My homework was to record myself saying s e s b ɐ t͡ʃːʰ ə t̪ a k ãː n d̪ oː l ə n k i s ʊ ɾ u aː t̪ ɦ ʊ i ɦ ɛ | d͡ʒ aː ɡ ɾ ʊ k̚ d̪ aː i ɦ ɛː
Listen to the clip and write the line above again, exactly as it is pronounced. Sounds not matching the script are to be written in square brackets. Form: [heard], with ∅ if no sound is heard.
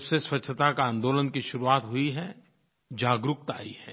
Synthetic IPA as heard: s e s [w] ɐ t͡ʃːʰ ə t̪ a k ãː n d̪ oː l ə n k i [ʃ] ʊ ɾ u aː t̪ ɦ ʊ i ɦ ɛ | d͡ʒ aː ɡ ɾ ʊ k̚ [t̪] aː i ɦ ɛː